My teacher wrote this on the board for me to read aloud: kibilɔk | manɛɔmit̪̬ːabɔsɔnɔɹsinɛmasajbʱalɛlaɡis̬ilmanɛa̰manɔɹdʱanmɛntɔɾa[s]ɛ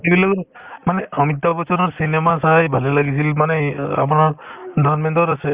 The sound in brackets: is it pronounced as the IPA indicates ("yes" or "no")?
yes